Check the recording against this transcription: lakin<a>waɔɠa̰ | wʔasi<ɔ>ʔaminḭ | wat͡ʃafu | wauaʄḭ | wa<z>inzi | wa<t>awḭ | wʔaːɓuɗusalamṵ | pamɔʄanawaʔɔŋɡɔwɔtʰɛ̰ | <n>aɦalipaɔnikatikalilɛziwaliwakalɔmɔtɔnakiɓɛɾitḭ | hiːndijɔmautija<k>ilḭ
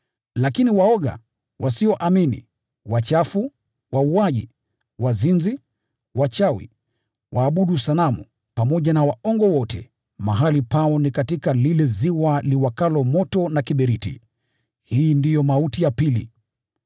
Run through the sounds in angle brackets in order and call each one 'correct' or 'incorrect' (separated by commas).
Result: incorrect, correct, correct, incorrect, incorrect, incorrect